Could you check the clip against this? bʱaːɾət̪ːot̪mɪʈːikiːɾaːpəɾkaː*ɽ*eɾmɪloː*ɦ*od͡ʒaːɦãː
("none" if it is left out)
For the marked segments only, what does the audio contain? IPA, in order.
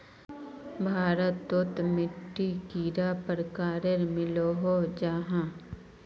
ɾ, ɦ

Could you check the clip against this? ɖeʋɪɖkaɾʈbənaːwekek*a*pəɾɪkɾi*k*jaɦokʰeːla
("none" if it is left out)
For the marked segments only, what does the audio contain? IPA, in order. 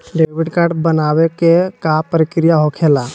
a, none

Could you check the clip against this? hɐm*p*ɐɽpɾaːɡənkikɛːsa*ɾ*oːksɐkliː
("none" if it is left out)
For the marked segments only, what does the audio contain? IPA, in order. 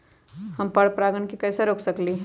p, ɾ

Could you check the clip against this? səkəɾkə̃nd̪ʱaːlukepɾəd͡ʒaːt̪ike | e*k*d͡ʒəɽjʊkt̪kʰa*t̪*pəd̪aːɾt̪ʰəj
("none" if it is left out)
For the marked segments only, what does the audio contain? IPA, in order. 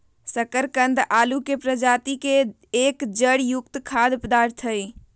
k, d̪

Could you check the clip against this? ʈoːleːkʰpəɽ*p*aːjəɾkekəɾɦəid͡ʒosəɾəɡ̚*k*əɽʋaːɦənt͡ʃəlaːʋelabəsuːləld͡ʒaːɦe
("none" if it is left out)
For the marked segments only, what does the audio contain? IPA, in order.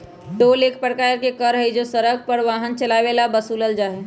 k, p

